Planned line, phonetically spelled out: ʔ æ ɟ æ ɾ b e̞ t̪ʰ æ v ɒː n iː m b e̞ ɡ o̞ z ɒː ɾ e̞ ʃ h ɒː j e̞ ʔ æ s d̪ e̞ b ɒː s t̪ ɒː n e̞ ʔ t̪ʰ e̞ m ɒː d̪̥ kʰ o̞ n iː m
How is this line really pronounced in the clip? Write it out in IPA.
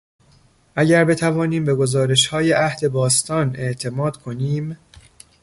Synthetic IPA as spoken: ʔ æ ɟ æ ɾ b e̞ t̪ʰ æ v ɒː n iː m b e̞ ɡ o̞ z ɒː ɾ e̞ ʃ h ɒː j e̞ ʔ æ h d̪ e̞ b ɒː s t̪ ɒː n e̞ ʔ t̪ʰ e̞ m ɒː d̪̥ kʰ o̞ n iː m

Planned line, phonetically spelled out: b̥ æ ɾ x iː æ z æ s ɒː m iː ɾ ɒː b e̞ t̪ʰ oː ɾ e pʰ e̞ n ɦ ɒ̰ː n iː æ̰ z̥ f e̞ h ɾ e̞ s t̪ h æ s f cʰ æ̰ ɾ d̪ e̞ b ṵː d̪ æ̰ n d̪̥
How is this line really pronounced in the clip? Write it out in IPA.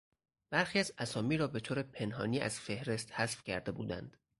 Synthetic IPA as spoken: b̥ æ ɾ x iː æ z æ s ɒː m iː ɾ ɒː b e̞ t̪ʰ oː ɾ e pʰ e̞ n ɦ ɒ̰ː n iː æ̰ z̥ f e̞ h ɾ e̞ s t̪ h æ s f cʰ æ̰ ɾ d̪ e̞ b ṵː d̪ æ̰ n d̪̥

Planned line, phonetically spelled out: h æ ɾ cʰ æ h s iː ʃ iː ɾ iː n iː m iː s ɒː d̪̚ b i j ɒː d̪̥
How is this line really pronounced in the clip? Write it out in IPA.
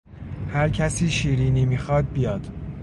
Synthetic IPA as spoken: h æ ɾ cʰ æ s iː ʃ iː ɾ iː n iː m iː x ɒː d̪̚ b i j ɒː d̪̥

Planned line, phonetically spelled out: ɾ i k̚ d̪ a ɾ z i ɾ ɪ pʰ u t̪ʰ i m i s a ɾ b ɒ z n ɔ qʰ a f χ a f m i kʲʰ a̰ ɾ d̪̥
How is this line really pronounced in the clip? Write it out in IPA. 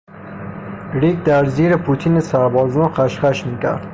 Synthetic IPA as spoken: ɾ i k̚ d̪ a ɾ z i ɾ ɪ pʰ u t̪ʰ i n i s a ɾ b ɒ z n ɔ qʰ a ʃ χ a ʃ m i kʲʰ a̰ ɾ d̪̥

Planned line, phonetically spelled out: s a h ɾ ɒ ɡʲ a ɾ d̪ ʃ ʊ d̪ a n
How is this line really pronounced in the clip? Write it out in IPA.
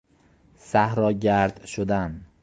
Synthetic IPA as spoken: s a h ɾ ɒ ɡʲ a ɾ d̪ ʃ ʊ d̪ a n

